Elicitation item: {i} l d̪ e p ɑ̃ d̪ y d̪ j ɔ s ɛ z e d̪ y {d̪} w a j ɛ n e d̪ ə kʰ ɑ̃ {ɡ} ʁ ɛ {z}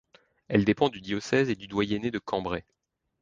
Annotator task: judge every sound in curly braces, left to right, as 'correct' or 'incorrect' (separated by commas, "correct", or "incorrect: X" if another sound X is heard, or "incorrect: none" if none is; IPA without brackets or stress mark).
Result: incorrect: ɛ, correct, incorrect: b, incorrect: none